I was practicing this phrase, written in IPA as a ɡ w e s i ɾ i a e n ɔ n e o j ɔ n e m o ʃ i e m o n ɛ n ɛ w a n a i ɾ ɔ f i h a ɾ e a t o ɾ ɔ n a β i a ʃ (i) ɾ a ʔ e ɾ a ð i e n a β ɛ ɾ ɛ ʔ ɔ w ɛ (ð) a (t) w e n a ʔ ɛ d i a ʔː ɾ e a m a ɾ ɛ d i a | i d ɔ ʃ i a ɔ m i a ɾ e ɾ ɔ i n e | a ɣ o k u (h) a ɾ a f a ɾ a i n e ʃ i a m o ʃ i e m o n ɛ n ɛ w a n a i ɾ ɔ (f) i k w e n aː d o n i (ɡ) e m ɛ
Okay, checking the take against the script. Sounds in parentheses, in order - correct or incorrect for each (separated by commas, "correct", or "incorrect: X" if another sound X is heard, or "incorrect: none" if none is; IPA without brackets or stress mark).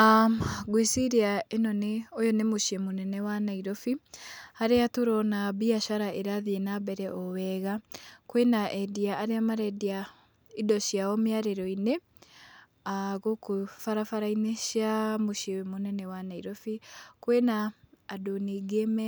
incorrect: a, incorrect: ɣ, incorrect: k, incorrect: f, correct, correct